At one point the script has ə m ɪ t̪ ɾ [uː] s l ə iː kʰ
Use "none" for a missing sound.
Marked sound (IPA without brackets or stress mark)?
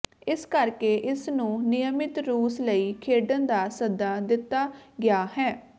uː